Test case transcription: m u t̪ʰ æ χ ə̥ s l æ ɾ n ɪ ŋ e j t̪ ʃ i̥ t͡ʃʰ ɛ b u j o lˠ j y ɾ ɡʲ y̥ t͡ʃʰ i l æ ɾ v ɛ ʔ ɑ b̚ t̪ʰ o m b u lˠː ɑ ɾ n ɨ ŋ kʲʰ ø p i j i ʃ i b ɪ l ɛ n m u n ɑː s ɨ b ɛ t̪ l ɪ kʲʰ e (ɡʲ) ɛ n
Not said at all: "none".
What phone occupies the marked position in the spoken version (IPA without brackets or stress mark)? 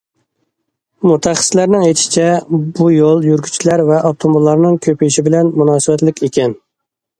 kʲ